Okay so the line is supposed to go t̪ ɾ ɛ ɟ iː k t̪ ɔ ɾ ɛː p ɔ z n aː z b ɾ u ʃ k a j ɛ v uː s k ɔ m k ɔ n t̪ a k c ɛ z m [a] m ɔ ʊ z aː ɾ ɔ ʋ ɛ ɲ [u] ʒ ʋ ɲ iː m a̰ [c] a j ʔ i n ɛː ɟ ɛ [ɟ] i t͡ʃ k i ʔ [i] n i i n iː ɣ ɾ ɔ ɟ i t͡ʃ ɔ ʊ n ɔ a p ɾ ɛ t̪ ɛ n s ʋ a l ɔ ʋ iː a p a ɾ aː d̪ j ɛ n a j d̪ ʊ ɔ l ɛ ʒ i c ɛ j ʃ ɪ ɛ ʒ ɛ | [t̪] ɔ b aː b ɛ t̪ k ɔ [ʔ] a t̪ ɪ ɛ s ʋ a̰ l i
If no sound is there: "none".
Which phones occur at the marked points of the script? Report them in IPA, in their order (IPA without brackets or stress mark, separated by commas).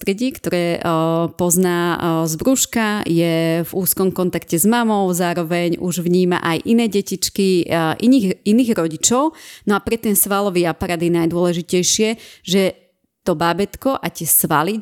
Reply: a, u, ʔ, c, i, t̪, ʔ